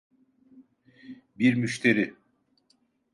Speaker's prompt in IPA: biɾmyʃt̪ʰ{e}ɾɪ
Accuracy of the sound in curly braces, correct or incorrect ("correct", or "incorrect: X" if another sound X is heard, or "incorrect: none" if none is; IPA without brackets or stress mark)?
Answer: correct